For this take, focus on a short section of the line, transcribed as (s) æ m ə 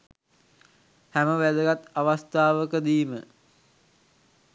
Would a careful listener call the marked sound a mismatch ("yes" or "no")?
yes